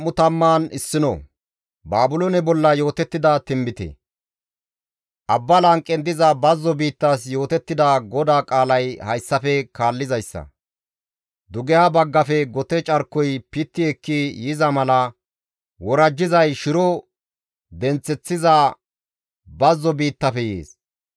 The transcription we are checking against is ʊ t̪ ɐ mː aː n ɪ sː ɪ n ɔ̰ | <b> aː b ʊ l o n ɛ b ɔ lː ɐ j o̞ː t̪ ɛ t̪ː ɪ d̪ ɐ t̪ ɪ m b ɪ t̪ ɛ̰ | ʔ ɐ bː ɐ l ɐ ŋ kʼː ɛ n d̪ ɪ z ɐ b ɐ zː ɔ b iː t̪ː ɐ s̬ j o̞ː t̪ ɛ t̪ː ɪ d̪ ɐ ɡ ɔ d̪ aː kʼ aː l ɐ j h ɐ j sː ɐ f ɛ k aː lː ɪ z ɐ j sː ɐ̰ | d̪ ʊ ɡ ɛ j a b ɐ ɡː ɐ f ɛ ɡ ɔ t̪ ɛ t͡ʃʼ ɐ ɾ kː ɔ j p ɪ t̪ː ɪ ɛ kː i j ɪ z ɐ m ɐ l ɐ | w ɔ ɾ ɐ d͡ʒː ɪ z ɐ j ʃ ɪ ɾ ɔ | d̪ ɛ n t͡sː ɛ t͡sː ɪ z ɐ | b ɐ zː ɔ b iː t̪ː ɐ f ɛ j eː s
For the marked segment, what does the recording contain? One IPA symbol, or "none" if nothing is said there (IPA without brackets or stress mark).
b